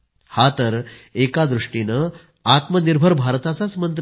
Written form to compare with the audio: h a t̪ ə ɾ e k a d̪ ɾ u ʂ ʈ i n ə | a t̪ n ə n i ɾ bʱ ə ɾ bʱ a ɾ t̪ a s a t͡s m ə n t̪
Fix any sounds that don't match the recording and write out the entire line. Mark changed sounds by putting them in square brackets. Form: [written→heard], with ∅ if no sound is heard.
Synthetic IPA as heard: h a t̪ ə ɾ e k a d̪ ɾ u ʂ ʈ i n ə | a t̪ [n→m] ə n i ɾ bʱ ə ɾ bʱ a ɾ t̪ a [s→t͡s] a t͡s m ə n t̪